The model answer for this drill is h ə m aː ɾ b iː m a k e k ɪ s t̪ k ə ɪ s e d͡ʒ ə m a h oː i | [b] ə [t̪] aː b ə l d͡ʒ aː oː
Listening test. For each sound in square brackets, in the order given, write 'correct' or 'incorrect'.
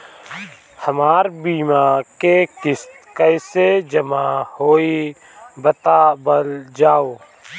correct, correct

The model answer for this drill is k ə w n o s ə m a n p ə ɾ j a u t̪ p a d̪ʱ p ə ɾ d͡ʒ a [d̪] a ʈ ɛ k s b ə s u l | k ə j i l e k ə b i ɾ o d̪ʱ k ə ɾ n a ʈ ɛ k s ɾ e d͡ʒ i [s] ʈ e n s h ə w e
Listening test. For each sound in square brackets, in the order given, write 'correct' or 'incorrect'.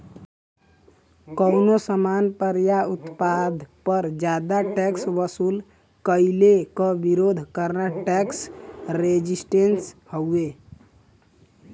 correct, correct

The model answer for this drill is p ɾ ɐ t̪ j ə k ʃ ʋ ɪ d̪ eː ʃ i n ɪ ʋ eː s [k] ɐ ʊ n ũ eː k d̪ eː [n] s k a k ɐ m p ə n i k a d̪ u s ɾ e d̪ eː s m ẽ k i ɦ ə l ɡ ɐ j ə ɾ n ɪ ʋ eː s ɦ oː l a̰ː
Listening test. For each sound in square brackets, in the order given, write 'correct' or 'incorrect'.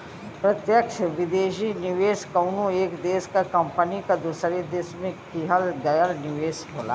correct, incorrect: none

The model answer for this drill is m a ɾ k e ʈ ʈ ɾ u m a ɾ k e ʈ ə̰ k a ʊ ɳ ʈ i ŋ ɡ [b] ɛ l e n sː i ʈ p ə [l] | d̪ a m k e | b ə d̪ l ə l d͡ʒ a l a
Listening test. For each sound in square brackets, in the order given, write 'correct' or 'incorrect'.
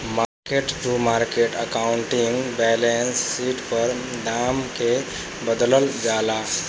correct, incorrect: ɾ

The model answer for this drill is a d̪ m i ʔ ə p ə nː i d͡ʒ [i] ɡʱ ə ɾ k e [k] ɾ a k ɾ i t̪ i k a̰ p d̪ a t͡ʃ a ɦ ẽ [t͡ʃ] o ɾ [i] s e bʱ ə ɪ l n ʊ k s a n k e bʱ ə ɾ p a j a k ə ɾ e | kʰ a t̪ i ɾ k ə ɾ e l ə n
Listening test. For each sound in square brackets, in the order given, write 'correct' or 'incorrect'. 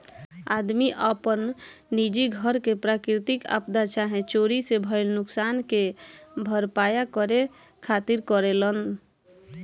correct, incorrect: p, correct, correct

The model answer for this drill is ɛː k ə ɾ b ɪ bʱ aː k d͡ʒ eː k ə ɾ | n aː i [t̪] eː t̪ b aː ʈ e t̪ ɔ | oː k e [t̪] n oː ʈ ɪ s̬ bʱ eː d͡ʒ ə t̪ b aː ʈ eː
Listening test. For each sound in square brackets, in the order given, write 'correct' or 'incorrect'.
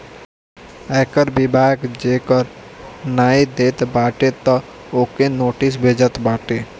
incorrect: d̪, incorrect: none

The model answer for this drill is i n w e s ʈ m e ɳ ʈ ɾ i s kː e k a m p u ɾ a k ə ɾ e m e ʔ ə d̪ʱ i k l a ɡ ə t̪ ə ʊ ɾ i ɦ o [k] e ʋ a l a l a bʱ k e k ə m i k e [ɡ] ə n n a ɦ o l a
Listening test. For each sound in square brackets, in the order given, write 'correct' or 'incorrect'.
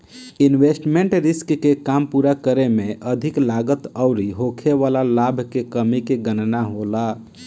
incorrect: kʰ, correct

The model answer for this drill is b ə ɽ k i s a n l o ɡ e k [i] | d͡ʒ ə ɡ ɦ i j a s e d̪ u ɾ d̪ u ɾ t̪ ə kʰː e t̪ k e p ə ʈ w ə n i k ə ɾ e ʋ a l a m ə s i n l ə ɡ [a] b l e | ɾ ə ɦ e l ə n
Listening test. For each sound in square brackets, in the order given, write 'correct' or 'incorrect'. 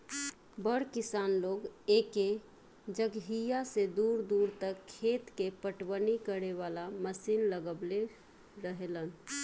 incorrect: e, incorrect: ə

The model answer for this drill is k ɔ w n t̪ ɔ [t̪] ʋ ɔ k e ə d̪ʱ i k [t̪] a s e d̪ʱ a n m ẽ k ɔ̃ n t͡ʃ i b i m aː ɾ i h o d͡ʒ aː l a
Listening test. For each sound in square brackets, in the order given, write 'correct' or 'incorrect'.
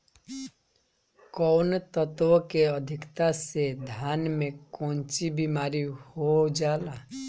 correct, correct

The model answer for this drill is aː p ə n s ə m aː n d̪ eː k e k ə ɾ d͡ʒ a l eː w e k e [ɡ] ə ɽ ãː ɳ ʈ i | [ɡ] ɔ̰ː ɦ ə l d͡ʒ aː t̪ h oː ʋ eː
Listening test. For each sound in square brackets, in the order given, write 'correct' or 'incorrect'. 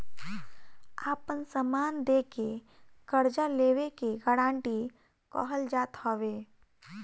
correct, incorrect: k

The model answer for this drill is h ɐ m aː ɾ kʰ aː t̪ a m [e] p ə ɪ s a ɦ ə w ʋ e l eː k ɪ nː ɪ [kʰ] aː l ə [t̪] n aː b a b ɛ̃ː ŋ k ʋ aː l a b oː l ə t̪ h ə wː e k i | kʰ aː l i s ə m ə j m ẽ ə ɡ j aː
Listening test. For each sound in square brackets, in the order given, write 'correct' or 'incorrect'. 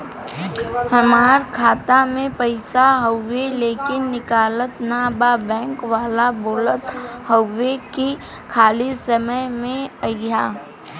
incorrect: ẽ, incorrect: k, correct

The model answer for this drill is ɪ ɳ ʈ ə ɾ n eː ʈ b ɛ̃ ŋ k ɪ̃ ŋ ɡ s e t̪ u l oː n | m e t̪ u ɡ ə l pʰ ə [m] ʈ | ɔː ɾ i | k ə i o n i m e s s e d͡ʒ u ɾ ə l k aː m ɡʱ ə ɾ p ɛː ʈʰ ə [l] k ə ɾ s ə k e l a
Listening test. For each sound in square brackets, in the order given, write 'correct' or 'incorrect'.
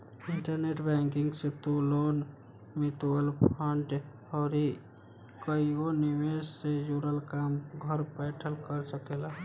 incorrect: ɳ, correct

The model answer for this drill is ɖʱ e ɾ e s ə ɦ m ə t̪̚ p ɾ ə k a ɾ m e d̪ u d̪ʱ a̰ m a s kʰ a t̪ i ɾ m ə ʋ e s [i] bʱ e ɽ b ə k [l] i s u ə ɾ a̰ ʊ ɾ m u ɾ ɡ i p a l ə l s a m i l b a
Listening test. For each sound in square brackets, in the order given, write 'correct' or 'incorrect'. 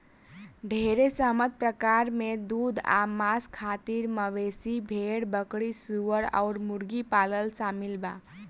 correct, incorrect: ɽ

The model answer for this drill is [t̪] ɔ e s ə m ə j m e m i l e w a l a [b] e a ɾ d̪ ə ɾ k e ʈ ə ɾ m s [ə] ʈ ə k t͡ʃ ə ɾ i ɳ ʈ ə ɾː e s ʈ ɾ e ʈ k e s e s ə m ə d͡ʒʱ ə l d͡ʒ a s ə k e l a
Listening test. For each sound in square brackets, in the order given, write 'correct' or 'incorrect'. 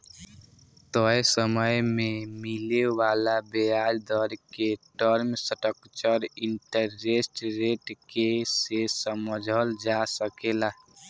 correct, correct, correct

